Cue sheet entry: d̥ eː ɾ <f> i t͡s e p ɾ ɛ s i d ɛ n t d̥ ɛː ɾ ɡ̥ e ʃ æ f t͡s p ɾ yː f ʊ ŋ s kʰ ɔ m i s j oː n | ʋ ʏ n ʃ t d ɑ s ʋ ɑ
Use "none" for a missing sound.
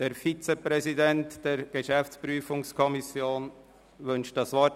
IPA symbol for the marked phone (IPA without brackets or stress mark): f